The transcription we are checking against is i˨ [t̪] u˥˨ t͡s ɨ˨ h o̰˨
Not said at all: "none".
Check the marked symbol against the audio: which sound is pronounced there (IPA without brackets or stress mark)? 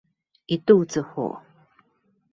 t̪